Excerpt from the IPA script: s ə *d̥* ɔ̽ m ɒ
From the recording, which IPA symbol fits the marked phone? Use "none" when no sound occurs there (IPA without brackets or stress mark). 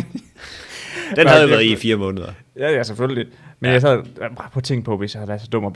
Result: d̥